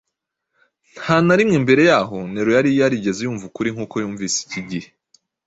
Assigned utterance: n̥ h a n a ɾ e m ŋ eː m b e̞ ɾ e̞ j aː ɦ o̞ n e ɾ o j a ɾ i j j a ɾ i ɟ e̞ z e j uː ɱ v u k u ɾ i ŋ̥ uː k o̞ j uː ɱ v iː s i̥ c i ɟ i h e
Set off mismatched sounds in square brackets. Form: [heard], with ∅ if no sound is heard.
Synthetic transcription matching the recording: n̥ h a n a ɾ [i] m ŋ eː m b e̞ ɾ e̞ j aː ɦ o̞ n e ɾ o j a ɾ i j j a ɾ i ɟ e̞ z e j uː ɱ v u k u ɾ i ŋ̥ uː k o̞ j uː ɱ v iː s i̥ c i ɟ i h e